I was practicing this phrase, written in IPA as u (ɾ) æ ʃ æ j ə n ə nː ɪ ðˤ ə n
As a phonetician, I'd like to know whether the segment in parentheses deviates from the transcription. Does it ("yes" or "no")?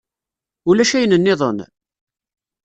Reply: yes